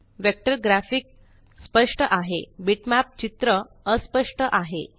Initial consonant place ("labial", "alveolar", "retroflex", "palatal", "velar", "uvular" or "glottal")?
labial